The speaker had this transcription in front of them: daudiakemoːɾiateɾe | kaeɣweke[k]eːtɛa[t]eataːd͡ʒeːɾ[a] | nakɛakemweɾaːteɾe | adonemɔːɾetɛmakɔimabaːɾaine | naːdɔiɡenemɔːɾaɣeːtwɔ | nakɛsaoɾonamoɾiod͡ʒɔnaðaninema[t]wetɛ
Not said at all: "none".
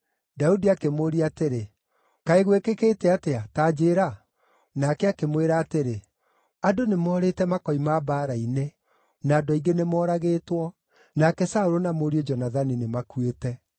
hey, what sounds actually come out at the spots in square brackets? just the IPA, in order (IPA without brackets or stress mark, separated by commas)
k, t, a, k